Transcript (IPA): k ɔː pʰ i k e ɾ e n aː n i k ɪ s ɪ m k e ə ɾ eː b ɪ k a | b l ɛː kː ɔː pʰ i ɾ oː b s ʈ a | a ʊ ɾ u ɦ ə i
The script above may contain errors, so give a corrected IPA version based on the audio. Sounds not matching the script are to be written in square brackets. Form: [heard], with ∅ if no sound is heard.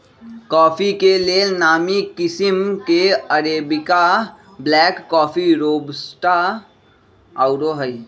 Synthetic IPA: k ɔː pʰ i k e [l] e n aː [m] i k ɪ s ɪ m k e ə ɾ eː b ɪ k a | b l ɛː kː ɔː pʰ i ɾ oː b s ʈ a | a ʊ ɾ [o] ɦ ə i